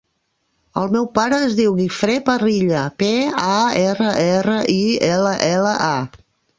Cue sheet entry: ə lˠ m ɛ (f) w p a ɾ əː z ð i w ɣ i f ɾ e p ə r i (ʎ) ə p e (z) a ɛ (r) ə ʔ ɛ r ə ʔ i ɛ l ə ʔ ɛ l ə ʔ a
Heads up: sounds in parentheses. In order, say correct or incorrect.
incorrect: none, correct, incorrect: none, correct

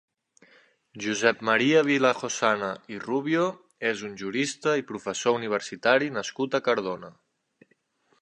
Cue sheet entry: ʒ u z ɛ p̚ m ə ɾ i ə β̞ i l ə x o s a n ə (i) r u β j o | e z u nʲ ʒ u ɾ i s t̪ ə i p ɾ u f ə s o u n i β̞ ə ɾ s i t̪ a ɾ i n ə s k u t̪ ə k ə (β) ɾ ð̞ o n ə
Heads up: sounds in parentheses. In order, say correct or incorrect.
correct, incorrect: none

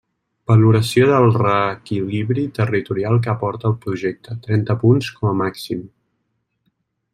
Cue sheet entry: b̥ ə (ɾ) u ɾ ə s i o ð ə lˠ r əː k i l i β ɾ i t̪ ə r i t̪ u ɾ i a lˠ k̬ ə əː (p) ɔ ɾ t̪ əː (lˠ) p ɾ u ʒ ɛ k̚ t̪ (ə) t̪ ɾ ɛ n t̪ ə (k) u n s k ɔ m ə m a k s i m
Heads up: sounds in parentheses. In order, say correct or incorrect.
incorrect: l, correct, correct, correct, incorrect: p

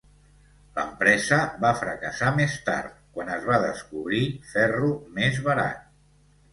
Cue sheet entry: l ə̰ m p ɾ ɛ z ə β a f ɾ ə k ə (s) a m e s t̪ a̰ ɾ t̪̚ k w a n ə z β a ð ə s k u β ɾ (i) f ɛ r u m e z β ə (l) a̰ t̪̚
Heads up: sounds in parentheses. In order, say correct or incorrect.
correct, correct, incorrect: ɾ

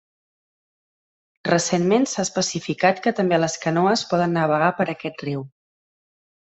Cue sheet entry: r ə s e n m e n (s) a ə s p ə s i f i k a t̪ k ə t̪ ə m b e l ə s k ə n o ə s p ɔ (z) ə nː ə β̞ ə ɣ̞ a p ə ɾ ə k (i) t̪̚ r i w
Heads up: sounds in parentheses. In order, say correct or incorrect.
correct, incorrect: ð, incorrect: ɛ

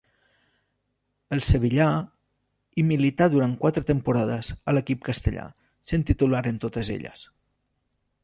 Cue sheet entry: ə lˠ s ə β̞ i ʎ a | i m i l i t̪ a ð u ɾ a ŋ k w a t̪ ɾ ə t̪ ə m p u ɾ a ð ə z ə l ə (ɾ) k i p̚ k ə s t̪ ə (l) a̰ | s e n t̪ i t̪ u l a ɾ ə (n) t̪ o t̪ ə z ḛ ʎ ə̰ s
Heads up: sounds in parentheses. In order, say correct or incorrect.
incorrect: none, incorrect: ʎ, correct

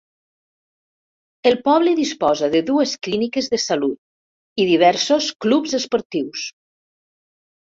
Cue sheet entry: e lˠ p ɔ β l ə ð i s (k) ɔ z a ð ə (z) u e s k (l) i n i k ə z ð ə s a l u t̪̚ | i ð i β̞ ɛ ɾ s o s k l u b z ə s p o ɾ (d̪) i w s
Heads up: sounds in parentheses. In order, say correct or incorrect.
incorrect: p, incorrect: ð, correct, incorrect: t̪

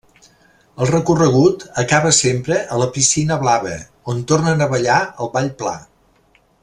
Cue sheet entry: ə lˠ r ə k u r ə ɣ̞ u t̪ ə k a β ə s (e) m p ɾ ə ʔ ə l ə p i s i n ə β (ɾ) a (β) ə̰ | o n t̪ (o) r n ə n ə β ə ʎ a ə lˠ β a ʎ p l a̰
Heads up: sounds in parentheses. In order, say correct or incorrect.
correct, incorrect: l, correct, correct

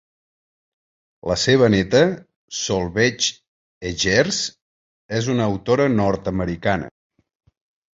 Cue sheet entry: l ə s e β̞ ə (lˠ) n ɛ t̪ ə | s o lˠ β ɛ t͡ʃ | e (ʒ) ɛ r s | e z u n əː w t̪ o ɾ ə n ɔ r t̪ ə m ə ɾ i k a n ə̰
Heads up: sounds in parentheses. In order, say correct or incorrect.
incorrect: none, correct

